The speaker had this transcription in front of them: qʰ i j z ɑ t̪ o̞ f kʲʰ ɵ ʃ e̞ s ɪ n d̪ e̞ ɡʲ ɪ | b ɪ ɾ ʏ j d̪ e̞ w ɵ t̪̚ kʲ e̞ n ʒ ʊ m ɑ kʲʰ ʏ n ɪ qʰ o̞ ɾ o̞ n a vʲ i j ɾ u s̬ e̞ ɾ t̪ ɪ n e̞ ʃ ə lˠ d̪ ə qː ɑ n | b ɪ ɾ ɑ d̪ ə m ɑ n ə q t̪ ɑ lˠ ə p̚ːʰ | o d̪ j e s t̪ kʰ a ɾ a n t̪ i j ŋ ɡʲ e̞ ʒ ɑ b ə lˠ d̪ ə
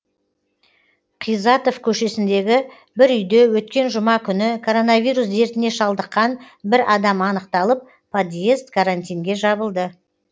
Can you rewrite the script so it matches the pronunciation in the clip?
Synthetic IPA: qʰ i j z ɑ t̪ o̞ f kʲʰ ɵ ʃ e̞ s ɪ n d̪ e̞ ɡʲ ɪ | b ɪ ɾ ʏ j d̪ e̞ w ɵ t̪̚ kʲ e̞ n ʒ ʊ m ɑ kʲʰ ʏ n ɪ kʰ o̞ ɾ o̞ n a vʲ i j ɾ u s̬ e̞ ɾ t̪ ɪ n e̞ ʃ ɑ lˠ d̪ ə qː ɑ n | b ɪ ɾ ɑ d̪ ɑ m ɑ n ə q t̪ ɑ lˠ ə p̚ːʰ | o d̪ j e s t̪ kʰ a ɾ a n t̪ i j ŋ ɡʲ e̞ ʒ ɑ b ə lˠ d̪ ə